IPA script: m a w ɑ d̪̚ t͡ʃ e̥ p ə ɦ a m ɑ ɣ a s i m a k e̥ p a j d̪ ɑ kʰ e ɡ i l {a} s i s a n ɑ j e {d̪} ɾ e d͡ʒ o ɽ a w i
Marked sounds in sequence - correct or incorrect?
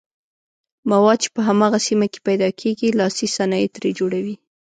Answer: incorrect: ɑ, incorrect: t̪

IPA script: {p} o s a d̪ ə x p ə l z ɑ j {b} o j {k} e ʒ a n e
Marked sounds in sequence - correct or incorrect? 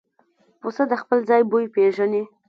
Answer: correct, correct, incorrect: p

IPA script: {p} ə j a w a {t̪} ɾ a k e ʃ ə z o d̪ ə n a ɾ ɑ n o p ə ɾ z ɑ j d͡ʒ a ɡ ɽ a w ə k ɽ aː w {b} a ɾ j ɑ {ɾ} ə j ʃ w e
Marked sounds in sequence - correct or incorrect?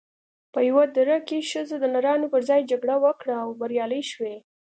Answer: correct, incorrect: d̪, correct, incorrect: l

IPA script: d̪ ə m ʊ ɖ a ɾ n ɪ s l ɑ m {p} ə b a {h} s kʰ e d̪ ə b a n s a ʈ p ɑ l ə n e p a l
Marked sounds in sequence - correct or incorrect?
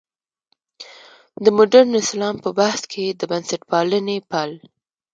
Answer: correct, correct

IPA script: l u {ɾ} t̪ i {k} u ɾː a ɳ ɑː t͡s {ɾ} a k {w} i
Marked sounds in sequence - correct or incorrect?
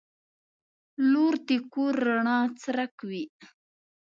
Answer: correct, correct, correct, correct

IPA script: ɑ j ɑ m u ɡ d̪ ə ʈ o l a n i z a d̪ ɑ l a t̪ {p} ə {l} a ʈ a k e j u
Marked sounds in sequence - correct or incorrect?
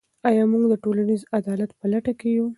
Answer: correct, correct

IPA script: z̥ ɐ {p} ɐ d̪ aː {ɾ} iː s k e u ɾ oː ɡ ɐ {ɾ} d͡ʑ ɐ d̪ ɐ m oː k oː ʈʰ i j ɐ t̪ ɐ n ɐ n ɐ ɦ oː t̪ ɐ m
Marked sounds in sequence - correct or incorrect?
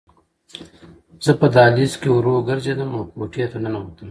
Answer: correct, incorrect: l, correct

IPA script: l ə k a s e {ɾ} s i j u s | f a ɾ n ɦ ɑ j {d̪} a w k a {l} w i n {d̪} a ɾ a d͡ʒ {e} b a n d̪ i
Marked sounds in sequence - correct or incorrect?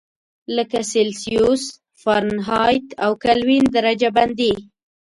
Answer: incorrect: l, incorrect: t̪, correct, correct, incorrect: a

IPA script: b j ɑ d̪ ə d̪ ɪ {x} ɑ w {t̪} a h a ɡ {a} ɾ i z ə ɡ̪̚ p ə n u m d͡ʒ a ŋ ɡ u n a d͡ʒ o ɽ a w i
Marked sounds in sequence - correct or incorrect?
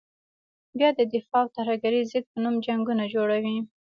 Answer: incorrect: f, correct, correct

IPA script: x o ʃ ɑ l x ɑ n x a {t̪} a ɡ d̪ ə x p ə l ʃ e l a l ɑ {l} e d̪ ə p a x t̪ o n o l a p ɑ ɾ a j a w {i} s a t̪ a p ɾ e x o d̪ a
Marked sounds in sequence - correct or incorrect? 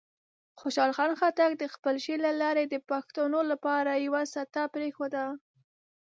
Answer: correct, incorrect: ɾ, incorrect: a

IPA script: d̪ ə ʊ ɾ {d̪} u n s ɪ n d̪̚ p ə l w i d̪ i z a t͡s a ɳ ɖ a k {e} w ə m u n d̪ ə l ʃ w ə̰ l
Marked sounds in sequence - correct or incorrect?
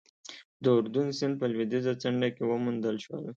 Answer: correct, correct

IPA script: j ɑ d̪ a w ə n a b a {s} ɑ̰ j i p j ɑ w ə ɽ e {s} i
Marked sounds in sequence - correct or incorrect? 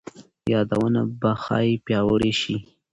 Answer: incorrect: x, incorrect: ʃ

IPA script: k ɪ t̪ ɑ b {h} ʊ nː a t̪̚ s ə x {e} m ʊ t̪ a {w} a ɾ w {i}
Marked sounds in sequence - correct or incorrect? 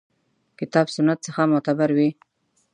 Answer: incorrect: s, incorrect: a, incorrect: b, correct

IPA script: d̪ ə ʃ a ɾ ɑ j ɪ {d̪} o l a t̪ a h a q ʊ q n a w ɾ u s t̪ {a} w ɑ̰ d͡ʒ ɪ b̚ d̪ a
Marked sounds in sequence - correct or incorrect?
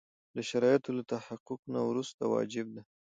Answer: incorrect: t̪, correct

